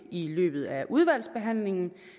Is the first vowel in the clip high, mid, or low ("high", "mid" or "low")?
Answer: high